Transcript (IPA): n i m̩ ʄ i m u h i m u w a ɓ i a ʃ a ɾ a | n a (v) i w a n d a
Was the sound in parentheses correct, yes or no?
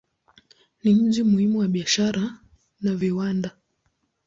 yes